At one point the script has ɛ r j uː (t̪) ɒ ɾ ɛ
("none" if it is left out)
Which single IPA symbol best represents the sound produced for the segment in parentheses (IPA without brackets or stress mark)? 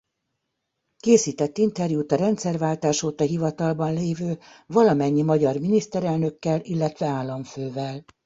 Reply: t̪